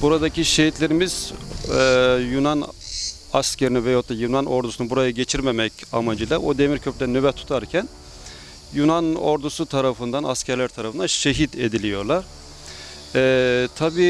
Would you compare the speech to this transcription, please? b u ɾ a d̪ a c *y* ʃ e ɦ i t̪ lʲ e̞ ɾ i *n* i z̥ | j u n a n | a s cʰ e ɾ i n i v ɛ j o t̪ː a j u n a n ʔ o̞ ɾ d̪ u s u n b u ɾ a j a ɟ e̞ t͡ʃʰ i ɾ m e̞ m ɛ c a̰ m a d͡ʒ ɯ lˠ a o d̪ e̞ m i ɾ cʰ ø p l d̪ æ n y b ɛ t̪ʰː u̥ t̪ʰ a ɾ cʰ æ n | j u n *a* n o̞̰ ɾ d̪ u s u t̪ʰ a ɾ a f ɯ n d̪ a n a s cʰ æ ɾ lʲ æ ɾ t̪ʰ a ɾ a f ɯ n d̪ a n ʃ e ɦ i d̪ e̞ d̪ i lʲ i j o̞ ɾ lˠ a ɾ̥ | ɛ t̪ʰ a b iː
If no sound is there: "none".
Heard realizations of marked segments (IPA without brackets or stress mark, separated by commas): i, m, a